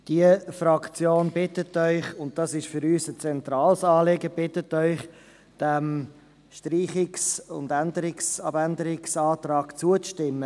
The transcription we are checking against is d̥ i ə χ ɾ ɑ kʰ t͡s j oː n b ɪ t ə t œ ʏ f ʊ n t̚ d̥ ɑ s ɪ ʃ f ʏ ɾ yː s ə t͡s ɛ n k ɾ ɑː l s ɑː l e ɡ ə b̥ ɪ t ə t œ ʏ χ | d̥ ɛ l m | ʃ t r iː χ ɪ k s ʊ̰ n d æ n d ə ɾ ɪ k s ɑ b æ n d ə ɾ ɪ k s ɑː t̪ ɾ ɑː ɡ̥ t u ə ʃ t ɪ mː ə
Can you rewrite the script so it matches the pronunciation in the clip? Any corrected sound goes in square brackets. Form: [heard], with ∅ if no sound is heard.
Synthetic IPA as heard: d̥ i ə [f] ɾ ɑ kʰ t͡s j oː n b ɪ t ə t œ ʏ [χ] ʊ n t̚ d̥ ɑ s ɪ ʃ f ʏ ɾ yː s ə t͡s ɛ n [t] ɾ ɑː l s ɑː l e ɡ ə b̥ ɪ t ə t œ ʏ χ | d̥ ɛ [∅] m | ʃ t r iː χ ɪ k s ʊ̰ n d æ n d ə ɾ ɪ k s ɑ b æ n d ə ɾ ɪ k s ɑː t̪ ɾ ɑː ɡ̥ [t͡s] u ə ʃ t ɪ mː ə